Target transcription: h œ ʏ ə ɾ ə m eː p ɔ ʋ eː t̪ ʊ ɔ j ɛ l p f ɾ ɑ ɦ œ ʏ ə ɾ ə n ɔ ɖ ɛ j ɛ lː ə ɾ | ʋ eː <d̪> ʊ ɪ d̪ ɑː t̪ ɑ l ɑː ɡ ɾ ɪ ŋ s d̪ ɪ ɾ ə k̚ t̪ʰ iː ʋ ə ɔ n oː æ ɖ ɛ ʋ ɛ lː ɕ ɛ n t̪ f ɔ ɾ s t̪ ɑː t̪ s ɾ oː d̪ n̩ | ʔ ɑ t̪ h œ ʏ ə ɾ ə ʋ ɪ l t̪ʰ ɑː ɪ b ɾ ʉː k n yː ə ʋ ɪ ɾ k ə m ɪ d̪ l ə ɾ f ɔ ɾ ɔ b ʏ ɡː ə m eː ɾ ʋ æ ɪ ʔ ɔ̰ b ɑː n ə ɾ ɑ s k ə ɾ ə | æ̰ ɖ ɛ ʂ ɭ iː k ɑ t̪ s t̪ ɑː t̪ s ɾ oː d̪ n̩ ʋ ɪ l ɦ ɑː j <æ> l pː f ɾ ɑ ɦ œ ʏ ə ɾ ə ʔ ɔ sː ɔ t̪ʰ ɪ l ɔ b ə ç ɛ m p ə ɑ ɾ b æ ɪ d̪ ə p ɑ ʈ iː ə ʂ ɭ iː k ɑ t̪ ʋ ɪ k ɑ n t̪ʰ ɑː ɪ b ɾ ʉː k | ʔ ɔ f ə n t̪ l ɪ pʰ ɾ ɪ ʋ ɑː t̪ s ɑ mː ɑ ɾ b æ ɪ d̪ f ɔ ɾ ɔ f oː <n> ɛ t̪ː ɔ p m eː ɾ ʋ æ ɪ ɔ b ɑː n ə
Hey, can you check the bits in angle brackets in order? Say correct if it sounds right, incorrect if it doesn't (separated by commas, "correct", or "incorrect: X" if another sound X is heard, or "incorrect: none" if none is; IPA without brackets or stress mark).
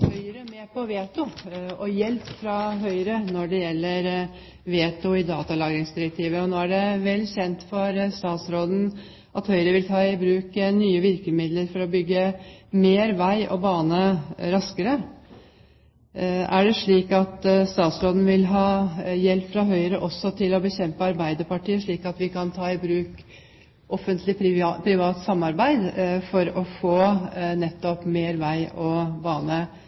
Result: incorrect: t̪, incorrect: ɛ, correct